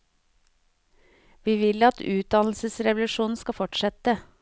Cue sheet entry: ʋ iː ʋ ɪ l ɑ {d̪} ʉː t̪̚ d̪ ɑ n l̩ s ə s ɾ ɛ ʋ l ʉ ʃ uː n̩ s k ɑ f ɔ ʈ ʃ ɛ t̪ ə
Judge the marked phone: incorrect: t̪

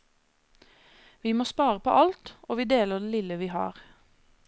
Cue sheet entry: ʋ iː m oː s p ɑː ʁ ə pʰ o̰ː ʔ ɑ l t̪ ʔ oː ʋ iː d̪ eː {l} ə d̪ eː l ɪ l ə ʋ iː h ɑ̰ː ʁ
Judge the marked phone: correct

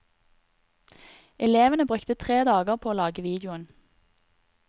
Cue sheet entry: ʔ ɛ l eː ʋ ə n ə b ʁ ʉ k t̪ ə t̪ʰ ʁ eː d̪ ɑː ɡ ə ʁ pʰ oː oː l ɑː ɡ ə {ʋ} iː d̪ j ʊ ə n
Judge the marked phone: correct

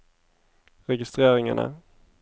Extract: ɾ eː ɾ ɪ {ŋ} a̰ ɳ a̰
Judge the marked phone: correct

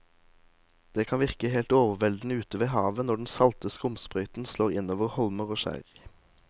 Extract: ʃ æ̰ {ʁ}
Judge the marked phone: correct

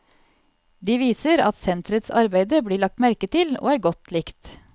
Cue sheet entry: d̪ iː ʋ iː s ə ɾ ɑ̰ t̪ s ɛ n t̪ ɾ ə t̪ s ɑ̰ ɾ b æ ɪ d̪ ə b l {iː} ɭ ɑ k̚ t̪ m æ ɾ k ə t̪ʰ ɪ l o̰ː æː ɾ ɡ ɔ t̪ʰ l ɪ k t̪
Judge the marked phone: correct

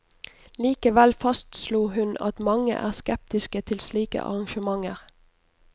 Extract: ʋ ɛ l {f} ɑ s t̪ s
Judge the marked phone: correct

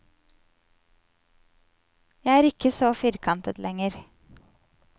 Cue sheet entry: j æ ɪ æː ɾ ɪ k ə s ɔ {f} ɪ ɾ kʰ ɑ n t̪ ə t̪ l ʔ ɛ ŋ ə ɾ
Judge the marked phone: correct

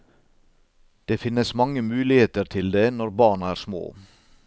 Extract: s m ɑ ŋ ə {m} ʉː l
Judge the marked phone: correct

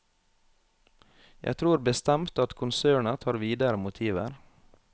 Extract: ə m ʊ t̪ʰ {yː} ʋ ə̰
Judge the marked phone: incorrect: iː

